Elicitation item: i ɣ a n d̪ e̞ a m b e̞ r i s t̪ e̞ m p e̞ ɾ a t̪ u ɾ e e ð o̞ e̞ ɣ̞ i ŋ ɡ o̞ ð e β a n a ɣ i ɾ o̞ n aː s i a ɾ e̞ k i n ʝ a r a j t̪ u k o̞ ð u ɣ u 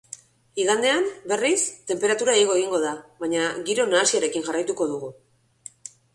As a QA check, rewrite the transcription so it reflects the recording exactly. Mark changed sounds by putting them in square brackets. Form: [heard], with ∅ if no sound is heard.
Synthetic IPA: i ɣ a n d̪ e̞ a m b e̞ r i s t̪ e̞ m p e̞ ɾ a t̪ u ɾ [a] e [ɣ] o̞ e̞ ɣ̞ i ŋ ɡ o̞ ð [a] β a [ɲ] a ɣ i ɾ o̞ n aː s i a ɾ e̞ k i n ʝ a r a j t̪ u k o̞ ð u ɣ u

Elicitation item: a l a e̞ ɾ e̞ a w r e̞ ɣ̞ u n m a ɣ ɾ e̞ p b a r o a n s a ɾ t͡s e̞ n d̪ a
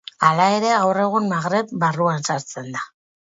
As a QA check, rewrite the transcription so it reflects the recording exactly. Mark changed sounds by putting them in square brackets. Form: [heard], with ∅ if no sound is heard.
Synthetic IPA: a l a e̞ ɾ e̞ a w r e̞ ɣ̞ u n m a ɣ ɾ e̞ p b a r [u] a n s a ɾ t͡s e̞ n d̪ a

